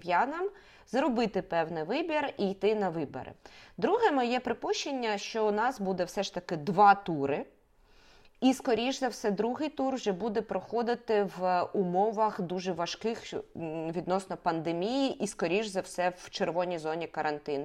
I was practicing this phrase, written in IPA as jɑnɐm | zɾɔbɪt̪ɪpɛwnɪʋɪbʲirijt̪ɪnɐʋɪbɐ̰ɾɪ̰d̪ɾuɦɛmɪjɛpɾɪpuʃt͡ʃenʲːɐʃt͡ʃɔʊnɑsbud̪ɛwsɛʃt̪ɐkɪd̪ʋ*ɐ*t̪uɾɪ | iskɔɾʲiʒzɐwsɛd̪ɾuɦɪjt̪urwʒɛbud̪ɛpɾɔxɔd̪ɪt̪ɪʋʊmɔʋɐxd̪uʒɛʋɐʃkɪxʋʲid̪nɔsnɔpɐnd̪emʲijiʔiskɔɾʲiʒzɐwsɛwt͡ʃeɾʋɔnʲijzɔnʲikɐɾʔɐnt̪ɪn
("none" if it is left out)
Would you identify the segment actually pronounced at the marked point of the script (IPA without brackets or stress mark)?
ɑ